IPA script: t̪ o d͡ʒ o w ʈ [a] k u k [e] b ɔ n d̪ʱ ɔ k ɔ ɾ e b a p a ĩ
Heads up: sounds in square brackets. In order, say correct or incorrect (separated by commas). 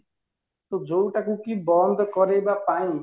correct, incorrect